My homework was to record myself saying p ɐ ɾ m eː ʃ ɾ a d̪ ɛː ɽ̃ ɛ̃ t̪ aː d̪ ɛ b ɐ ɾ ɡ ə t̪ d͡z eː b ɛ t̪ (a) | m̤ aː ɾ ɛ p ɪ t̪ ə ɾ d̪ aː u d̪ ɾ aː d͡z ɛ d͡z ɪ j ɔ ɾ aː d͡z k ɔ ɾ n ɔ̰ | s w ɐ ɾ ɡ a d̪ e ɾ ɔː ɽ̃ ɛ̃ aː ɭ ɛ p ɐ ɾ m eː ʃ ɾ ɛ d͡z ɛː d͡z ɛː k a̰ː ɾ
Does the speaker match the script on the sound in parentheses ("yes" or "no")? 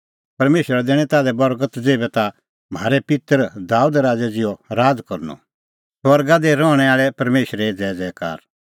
yes